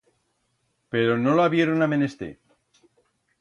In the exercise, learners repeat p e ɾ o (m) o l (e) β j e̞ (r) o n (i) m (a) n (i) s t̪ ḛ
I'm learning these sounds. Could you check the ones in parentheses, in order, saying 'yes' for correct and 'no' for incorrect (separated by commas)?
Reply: no, no, no, no, no, no